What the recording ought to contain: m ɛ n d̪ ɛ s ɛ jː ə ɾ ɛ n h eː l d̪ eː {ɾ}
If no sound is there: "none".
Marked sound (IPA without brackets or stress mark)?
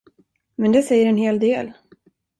l